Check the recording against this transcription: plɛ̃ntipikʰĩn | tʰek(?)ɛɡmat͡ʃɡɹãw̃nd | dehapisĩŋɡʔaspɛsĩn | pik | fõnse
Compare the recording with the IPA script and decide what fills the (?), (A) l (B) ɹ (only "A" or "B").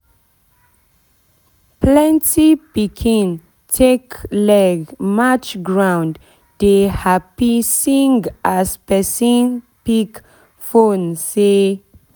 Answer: A